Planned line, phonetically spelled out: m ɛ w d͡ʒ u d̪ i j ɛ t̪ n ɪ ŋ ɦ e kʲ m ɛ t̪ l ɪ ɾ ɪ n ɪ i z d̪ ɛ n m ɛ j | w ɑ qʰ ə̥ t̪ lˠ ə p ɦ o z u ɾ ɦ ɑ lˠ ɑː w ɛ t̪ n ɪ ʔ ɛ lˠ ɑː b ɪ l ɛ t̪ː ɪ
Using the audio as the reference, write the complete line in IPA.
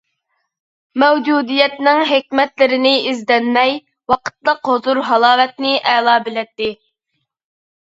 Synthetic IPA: m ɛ w d͡ʒ u d̪ i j ɛ t̪ n ɪ ŋ ɦ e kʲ m ɛ t̪ l ɪ ɾ ɪ n ɪ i z d̪ ɛ n m ɛ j | w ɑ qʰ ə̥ t̪ lˠ ə q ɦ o z u ɾ ɦ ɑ lˠ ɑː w ɛ t̪ n ɪ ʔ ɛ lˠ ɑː b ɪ l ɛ t̪ː ɪ